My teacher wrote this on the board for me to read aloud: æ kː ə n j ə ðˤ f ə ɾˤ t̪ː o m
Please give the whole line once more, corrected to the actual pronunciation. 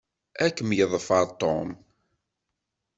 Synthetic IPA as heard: æ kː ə m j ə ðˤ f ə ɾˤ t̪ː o m